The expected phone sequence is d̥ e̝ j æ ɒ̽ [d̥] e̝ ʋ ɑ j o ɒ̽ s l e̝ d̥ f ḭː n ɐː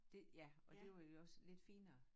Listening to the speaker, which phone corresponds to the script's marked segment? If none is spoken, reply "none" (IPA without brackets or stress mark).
d̥